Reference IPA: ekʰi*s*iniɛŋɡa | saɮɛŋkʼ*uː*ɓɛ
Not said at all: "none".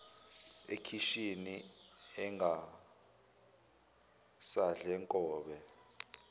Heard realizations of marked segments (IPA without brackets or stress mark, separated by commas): ʃ, ɔː